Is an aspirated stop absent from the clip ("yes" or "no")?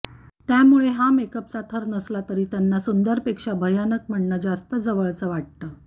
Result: no